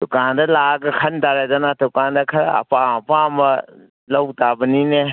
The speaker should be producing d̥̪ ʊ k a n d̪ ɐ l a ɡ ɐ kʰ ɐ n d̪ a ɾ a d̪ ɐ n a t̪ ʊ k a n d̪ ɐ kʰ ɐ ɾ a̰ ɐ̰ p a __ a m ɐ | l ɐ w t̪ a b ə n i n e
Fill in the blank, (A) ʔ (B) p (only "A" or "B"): B